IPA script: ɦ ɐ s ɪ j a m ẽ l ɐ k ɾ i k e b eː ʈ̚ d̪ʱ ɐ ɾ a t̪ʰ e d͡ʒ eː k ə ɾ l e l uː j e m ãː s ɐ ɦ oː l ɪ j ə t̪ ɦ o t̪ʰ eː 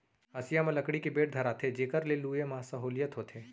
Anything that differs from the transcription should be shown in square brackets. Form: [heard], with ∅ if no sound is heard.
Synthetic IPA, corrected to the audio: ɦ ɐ s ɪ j a m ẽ l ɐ k [ɽ] i k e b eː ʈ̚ d̪ʱ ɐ ɾ a t̪ʰ e d͡ʒ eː k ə ɾ l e l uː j e m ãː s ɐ ɦ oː l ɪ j ə t̪ ɦ o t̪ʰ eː